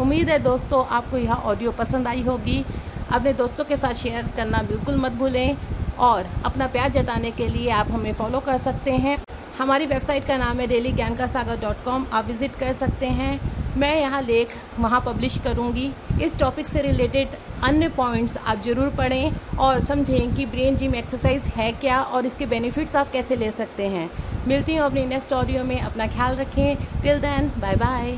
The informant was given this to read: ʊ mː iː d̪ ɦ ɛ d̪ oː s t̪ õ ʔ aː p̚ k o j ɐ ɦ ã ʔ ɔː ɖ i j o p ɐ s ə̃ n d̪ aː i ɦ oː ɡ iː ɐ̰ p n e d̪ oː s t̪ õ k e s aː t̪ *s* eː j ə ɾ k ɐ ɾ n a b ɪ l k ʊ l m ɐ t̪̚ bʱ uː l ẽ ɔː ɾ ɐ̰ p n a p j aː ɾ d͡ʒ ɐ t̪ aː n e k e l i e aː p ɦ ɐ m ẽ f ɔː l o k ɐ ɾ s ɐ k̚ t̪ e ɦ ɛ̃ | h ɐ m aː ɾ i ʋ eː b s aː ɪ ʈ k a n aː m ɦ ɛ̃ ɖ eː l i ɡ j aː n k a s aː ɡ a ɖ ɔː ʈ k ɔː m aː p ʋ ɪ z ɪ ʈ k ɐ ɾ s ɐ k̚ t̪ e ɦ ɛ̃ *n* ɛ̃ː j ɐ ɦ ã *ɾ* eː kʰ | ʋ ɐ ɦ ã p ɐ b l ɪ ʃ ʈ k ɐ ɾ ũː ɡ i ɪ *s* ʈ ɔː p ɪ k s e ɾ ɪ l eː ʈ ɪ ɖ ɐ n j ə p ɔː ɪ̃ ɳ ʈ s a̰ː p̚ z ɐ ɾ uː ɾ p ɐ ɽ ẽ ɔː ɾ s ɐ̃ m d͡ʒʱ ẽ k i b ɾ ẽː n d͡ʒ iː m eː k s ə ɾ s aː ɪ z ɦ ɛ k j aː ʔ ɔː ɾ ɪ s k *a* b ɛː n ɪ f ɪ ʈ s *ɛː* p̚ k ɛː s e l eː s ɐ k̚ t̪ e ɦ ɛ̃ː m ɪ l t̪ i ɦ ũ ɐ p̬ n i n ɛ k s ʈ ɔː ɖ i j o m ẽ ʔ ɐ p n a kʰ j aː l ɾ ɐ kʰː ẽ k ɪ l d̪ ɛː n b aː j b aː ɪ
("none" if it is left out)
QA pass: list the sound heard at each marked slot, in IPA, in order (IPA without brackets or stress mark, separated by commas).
ʃ, m, l, s, e, aː